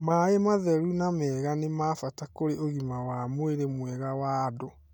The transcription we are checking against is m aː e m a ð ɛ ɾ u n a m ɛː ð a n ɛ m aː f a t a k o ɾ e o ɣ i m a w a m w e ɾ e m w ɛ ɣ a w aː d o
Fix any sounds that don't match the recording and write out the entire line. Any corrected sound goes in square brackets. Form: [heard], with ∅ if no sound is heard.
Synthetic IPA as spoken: m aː e m a ð ɛ ɾ u n a m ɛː [ɣ] a n [e] m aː f a t a k o ɾ e o ɣ i m a w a m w e ɾ e m w ɛ ɣ a w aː d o